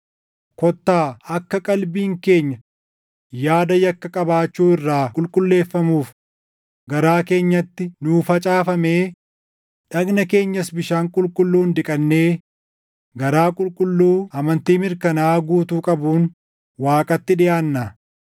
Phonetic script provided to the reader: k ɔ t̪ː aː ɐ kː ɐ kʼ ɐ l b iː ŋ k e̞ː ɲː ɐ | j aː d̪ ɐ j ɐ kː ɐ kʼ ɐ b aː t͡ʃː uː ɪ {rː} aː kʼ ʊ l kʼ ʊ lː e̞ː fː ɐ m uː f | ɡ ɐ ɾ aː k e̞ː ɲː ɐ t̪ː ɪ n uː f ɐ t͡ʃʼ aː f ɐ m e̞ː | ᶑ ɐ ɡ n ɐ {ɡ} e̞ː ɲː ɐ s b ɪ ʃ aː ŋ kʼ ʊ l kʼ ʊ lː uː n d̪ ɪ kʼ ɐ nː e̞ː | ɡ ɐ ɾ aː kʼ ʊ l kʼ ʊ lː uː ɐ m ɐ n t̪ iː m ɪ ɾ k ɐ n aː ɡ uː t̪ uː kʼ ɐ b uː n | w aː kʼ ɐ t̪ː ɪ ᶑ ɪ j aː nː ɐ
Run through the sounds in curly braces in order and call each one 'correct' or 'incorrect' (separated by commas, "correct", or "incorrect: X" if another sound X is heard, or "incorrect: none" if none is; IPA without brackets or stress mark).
correct, incorrect: k